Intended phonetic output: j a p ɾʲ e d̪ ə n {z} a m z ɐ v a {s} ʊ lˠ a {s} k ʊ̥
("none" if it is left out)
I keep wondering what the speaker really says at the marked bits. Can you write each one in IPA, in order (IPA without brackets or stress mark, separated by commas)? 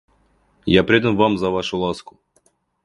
v, ʂ, s